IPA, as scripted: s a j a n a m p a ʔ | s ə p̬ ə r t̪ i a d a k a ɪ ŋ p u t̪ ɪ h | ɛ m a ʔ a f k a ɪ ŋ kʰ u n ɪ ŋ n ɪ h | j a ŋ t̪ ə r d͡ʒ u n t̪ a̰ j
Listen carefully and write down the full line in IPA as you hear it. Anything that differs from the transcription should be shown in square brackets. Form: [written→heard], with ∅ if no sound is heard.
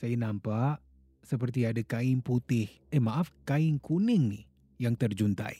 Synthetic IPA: s a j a n a m p a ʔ | s ə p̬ ə r t̪ i a d a k a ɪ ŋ p u t̪ ɪ h | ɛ m a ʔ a f k a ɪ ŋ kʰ u n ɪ ŋ n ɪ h | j a ŋ t̪ ə r d͡ʒ u n t̪ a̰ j